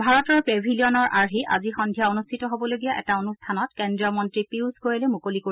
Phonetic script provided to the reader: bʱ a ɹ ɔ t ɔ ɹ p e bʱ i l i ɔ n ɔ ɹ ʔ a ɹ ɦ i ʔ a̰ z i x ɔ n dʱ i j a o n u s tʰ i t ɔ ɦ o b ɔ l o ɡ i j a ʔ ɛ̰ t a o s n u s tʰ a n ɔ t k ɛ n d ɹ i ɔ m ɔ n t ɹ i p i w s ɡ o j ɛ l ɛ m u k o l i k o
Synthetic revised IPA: bʱ a ɹ ɔ t ɔ ɹ p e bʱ i l i ɔ n ɔ ɹ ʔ a ɹ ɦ i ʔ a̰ z i x ɔ n dʱ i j a o n u s tʰ i t ɔ ɦ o b ɔ l o ɡ i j a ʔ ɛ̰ t a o n u s tʰ a n ɔ t k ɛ n d ɹ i ɔ m ɔ n t ɹ i p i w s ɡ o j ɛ l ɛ m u k o l i k o